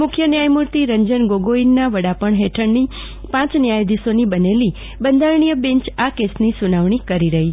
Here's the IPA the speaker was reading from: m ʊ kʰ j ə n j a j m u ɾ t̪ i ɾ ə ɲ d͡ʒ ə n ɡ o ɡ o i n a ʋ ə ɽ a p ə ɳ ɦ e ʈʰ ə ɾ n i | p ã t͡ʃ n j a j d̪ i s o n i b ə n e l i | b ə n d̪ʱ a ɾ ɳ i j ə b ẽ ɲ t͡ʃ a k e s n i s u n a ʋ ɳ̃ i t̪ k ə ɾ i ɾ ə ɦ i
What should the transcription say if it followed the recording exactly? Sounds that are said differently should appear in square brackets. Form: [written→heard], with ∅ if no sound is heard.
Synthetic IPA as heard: m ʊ kʰ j ə n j a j m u ɾ t̪ i ɾ ə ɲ d͡ʒ ə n ɡ o ɡ o i [n→nː] a ʋ ə ɽ a p ə ɳ ɦ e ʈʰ ə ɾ n i | p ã t͡ʃ n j a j d̪ i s o n i b ə n e l i | b ə n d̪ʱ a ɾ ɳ i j ə b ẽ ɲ t͡ʃ a k e s n i s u n a ʋ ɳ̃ i [t̪→∅] k ə ɾ i ɾ ə ɦ i

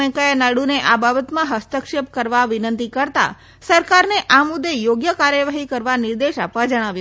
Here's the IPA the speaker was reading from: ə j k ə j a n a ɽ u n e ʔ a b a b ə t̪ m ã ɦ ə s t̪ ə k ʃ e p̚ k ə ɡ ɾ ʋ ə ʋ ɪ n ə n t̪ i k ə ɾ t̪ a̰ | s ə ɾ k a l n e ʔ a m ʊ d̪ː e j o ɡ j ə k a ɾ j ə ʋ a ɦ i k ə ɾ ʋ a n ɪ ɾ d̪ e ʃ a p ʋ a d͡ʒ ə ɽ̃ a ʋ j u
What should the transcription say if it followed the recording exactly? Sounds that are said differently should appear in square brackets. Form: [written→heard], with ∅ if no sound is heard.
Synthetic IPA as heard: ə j k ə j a n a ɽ u n e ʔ a b a b ə t̪ m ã ɦ ə s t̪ ə k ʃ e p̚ k ə [ɡ→∅] ɾ ʋ [ə→a] ʋ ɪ n ə n t̪ i k ə ɾ t̪ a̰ | s ə ɾ k a [l→ɾ] n e ʔ a m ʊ d̪ː e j o ɡ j ə k a ɾ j ə ʋ a ɦ i k ə ɾ ʋ a n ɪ ɾ d̪ e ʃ a p ʋ a d͡ʒ ə ɽ̃ a ʋ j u

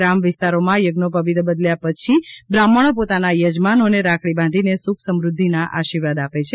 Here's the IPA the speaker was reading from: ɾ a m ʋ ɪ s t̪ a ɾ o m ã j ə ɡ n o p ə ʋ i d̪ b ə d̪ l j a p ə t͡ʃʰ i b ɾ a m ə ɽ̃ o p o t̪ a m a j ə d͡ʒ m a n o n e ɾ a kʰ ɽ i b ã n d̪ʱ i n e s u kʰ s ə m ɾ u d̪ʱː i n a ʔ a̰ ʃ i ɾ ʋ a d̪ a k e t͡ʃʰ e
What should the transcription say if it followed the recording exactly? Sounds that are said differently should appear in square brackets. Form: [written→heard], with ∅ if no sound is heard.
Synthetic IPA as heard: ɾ a m ʋ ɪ s t̪ a ɾ o m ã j ə ɡ n o p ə ʋ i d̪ b ə d̪ l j a p ə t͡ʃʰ i b ɾ a m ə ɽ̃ o p o t̪ a [m→n] a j ə d͡ʒ m a n o n e ɾ a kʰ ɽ i b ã n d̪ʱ i n e s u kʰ s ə m ɾ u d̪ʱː i n a ʔ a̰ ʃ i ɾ ʋ a d̪ a [k→p] e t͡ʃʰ e

